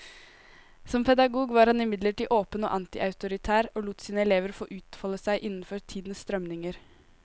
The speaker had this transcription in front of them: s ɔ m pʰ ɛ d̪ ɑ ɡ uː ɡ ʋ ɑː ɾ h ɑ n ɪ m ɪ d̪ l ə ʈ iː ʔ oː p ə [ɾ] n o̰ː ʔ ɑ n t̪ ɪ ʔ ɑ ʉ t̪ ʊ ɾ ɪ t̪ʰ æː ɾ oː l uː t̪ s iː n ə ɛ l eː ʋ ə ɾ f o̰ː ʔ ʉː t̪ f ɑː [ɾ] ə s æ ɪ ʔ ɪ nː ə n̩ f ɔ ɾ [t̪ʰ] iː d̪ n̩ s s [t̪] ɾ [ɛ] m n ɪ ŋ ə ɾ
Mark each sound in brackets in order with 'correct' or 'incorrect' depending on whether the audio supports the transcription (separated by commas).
incorrect, incorrect, correct, correct, incorrect